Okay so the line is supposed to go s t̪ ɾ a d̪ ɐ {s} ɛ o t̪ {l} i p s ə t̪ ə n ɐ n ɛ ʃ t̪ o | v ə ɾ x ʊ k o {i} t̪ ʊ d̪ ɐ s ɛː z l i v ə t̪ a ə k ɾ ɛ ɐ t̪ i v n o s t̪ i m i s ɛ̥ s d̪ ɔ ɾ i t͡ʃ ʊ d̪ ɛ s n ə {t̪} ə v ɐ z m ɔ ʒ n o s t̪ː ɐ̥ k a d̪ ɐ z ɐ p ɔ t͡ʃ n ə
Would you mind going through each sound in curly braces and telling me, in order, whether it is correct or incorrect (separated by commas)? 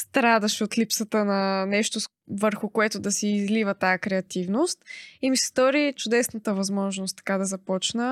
incorrect, correct, incorrect, correct